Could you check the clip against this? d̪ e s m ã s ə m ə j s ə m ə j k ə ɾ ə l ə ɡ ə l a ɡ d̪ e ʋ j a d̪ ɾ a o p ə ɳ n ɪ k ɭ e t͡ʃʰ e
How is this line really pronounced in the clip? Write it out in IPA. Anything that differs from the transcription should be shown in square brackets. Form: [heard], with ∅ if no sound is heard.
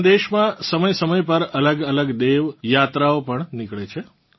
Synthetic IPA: d̪ e [ʃ] m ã s ə m ə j s ə m ə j [p] ə ɾ ə l ə ɡ ə l [ə] ɡ d̪ e ʋ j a [t̪] ɾ a o p ə ɳ n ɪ k ɭ e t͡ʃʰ e